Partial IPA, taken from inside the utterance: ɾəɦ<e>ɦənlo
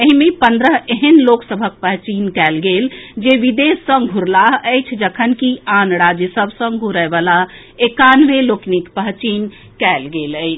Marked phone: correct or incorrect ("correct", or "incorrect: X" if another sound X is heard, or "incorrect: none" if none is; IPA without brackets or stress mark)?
correct